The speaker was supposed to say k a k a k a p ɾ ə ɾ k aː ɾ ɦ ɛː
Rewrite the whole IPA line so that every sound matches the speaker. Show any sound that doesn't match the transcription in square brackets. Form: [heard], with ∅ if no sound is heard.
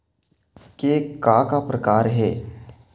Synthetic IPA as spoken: k [e] k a k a p ɾ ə [∅] k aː ɾ ɦ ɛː